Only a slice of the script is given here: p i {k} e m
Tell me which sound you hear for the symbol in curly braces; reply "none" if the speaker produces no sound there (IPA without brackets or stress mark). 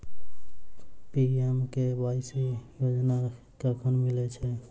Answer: none